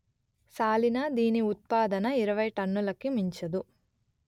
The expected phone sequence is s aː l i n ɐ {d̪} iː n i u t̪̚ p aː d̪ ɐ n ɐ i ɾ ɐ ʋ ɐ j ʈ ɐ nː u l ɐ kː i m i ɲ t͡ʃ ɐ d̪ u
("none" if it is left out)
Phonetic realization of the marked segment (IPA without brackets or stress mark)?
d̪